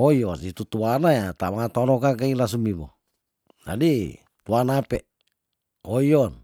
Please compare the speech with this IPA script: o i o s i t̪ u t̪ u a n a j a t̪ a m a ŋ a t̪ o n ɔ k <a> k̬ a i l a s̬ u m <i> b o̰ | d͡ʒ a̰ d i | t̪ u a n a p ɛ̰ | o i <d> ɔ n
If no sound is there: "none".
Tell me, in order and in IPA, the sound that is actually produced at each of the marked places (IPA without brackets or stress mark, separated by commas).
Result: a, i, none